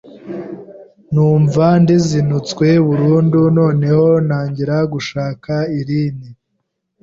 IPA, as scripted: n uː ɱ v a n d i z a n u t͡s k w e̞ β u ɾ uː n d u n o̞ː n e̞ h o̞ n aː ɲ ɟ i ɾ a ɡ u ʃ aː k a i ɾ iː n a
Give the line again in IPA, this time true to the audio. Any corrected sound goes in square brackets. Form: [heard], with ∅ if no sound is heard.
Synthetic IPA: n uː ɱ v a n d i z [i] n u t͡s k w e̞ β u ɾ uː n d u n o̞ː n e̞ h o̞ n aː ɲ ɟ i ɾ a ɡ u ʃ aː k a i ɾ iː n [i]